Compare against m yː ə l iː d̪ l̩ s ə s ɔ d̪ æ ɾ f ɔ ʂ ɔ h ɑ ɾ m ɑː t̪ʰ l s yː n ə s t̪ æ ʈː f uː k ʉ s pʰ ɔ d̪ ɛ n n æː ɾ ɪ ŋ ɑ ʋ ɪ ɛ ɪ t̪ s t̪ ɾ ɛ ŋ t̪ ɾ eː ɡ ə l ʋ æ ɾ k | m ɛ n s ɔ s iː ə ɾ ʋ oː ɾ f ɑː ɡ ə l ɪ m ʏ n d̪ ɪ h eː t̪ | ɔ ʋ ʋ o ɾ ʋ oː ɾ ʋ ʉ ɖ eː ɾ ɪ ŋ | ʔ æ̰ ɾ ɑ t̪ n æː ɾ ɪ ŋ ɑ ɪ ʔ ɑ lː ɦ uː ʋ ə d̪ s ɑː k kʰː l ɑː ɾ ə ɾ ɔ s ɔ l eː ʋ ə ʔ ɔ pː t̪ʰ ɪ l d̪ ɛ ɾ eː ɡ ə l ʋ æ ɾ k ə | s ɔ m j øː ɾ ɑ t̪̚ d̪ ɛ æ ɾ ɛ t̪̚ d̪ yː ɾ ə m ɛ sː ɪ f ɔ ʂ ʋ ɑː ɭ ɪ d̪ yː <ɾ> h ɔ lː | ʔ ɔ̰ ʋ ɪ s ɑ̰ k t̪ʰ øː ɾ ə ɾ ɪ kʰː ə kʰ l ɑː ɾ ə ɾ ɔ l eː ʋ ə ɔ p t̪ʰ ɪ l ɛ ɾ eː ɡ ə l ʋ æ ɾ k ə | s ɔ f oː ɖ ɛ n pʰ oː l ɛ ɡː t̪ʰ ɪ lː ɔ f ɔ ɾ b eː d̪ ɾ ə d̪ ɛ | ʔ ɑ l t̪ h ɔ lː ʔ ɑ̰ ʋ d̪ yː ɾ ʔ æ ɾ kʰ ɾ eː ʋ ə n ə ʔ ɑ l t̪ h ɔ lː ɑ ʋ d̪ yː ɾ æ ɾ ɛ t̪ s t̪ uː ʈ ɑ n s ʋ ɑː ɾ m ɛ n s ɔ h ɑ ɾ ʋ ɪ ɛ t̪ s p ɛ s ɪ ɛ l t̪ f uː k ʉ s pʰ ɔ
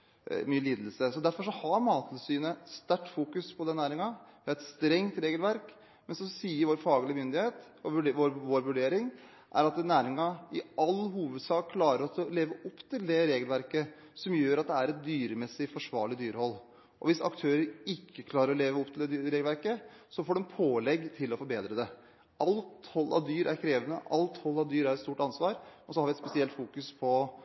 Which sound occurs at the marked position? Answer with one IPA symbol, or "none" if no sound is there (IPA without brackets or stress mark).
ɾ